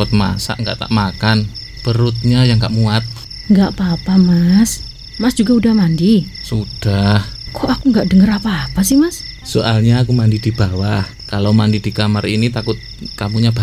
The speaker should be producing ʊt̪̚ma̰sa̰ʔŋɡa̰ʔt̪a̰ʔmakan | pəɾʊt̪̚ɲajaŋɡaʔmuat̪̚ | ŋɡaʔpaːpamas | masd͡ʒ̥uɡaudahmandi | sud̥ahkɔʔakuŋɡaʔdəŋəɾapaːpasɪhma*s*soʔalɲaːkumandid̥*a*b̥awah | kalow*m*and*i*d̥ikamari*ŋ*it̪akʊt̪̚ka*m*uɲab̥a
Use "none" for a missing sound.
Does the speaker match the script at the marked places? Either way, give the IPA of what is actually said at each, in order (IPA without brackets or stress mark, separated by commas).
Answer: s, i, m, i, n, m